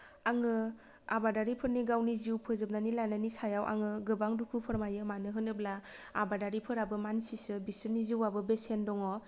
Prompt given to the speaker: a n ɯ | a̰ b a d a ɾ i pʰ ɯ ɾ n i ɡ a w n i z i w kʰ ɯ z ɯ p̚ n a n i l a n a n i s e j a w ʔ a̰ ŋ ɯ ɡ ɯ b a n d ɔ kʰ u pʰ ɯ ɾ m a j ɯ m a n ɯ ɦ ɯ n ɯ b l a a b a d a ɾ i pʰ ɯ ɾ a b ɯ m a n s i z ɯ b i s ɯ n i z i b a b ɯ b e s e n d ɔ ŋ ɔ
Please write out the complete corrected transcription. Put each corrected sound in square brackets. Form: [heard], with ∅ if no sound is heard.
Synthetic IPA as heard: a [ŋ] ɯ | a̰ b a d a ɾ i pʰ ɯ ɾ n i ɡ a w n i z i w [pʰ] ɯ z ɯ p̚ n a n i l a n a n i s [a] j a w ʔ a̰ ŋ ɯ ɡ ɯ b a [ŋ] d [u] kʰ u pʰ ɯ ɾ m a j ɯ m a n ɯ ɦ ɯ n ɯ b l a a b a d a ɾ i pʰ ɯ ɾ a b ɯ m a n s i [s] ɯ b i s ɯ n i z i [w] a b ɯ b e s e n d ɔ ŋ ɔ